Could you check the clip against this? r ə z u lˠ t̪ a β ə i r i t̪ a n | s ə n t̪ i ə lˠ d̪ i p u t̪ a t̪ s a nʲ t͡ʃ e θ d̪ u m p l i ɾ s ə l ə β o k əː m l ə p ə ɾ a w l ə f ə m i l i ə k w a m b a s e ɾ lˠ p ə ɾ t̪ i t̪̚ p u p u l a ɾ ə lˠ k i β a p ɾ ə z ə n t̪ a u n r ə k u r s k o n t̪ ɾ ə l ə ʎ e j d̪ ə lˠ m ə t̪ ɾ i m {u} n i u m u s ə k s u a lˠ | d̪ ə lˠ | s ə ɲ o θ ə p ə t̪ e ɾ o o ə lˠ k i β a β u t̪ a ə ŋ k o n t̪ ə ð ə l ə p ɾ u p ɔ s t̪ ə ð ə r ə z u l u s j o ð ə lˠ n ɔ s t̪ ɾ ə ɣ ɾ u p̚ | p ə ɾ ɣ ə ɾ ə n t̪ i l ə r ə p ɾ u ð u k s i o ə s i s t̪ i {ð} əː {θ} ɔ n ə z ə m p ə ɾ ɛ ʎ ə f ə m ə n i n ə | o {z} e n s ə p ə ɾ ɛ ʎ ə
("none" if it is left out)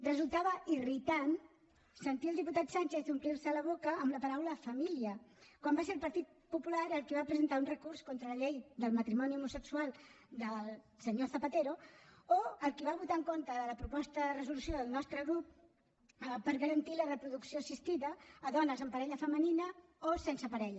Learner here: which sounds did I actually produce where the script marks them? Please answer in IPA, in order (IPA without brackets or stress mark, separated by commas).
ɔ, ð, ð, s